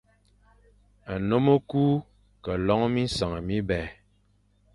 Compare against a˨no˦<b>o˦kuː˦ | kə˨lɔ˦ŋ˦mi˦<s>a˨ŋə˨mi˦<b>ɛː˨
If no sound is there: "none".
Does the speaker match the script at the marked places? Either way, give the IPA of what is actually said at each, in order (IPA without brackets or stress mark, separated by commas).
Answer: m, s, b